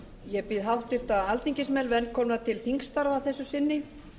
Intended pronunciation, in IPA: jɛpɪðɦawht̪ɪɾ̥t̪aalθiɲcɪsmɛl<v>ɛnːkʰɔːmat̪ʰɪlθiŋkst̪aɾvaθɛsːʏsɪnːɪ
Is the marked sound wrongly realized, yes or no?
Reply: no